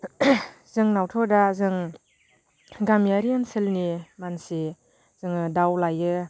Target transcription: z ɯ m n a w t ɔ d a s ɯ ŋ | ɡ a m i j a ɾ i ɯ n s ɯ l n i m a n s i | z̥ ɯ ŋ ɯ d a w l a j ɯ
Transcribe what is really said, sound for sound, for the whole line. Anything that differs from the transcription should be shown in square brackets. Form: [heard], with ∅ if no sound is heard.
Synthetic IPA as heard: z ɯ [ŋ] n a w [tʰ] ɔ d a [z] ɯ ŋ | ɡ a m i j a ɾ i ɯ n s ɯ l n i m a n s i | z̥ ɯ ŋ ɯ d a w l a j ɯ